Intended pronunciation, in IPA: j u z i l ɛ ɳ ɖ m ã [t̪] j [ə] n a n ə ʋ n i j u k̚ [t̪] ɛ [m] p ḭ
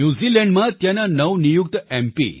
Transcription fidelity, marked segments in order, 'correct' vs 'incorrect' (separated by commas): correct, incorrect, correct, correct